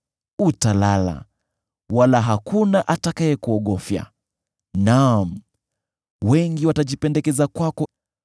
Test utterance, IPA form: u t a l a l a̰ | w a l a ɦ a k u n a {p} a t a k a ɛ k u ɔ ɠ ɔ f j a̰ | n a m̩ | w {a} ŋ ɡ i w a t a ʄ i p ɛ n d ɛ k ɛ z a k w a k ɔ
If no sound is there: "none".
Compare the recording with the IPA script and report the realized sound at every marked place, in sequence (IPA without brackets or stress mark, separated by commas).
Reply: ʔ, ɛ